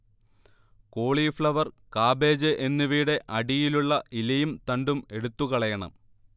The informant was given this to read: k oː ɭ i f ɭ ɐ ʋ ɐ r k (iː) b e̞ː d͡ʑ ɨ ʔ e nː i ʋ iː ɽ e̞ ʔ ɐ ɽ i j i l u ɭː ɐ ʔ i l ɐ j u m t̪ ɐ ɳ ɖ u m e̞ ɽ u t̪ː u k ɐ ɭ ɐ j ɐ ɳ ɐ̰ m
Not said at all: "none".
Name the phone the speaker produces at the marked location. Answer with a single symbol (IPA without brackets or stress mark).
aː